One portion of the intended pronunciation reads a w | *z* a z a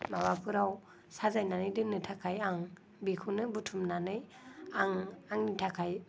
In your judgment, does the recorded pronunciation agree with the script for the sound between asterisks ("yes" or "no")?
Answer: no